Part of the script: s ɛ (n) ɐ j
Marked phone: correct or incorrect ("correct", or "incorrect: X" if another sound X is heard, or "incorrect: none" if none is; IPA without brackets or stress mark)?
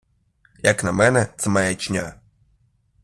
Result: incorrect: m